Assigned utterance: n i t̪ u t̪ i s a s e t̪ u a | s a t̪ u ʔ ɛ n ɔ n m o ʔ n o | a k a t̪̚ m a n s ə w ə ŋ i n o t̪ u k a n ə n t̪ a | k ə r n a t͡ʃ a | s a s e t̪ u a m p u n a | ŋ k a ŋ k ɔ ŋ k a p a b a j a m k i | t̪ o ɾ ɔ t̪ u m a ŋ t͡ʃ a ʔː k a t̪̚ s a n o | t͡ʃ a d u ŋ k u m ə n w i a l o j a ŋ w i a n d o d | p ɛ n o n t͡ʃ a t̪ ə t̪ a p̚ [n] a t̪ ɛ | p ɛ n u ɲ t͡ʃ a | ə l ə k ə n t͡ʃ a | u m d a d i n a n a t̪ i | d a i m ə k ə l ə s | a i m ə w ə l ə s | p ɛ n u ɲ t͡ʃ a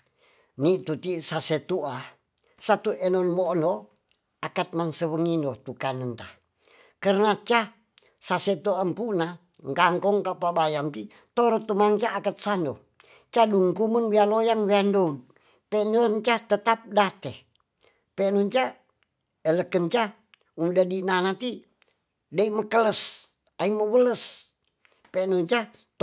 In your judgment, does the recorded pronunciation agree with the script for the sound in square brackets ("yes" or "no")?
no